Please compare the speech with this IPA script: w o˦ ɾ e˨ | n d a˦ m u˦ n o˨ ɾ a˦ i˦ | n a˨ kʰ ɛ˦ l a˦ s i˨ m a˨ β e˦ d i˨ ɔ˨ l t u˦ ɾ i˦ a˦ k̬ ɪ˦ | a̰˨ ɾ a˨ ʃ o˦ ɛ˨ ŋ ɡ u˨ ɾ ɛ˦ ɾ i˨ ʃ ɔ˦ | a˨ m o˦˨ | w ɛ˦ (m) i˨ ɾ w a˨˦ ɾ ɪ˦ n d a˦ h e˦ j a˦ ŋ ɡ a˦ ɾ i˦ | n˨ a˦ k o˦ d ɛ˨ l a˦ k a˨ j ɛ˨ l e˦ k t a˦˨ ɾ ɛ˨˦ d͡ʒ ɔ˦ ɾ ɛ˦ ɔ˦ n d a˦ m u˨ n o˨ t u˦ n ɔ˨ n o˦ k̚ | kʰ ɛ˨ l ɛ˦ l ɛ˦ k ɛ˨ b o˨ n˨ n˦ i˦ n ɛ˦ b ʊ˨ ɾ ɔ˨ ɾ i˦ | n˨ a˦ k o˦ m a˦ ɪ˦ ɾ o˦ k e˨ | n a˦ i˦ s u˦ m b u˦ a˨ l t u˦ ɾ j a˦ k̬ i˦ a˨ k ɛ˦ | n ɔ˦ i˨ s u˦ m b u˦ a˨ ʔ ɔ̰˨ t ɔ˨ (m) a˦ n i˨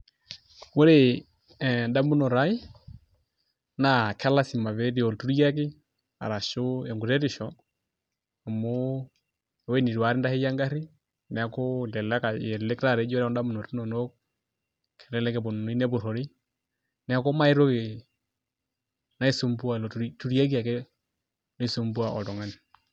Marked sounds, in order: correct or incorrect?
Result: incorrect: n, incorrect: ŋ

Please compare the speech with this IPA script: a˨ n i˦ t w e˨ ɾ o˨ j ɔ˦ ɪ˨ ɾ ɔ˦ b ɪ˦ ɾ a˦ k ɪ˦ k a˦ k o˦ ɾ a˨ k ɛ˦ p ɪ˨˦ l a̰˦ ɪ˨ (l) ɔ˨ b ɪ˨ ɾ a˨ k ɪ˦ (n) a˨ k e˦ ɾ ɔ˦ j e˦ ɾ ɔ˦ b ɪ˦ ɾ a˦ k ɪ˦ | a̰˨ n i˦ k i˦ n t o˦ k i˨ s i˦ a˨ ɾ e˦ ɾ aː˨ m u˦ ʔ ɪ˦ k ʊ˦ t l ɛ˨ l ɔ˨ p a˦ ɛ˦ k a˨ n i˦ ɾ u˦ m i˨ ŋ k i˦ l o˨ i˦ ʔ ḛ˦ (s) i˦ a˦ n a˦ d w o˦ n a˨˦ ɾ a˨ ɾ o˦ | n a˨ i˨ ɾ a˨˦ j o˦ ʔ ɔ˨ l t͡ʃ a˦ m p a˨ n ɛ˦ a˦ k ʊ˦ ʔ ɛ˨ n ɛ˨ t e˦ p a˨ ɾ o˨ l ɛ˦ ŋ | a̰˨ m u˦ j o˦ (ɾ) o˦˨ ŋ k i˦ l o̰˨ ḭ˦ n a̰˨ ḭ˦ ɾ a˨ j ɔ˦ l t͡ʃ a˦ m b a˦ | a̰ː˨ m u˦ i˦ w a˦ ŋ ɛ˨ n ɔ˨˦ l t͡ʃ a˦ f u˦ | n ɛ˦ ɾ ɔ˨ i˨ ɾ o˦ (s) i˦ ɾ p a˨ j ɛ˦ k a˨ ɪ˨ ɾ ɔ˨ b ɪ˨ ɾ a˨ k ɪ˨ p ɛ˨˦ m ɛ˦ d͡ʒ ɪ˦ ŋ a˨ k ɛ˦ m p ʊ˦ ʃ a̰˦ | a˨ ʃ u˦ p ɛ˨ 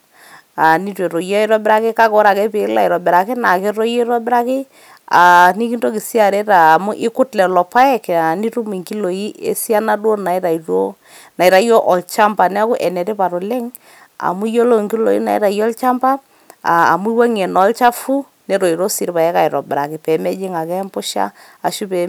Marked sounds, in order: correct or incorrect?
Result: incorrect: ɾ, correct, correct, incorrect: l, correct

